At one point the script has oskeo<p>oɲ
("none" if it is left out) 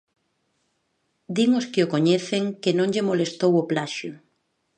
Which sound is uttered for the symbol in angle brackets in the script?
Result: k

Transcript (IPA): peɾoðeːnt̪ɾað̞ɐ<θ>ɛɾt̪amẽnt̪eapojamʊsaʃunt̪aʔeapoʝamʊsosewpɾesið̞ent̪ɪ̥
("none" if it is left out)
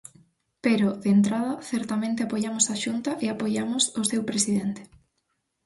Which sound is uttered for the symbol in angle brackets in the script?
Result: θ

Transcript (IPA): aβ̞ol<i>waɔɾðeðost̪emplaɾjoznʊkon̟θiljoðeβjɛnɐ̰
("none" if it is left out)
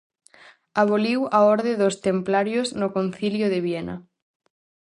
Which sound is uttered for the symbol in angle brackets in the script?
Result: i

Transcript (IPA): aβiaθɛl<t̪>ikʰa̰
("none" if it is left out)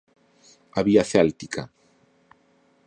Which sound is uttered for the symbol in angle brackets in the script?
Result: t̪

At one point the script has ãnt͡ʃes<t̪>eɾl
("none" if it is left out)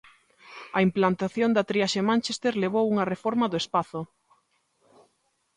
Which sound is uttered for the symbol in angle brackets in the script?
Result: t̪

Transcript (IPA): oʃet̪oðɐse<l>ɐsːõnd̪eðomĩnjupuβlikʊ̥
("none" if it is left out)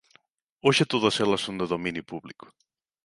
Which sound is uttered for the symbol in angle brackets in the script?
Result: l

